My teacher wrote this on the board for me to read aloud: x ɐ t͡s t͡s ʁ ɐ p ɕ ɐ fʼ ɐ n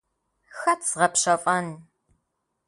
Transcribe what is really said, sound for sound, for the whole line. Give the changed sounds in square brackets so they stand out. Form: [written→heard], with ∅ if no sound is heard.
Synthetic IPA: x ɐ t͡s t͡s ʁ ɐ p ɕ ɐ fʼ ɐ n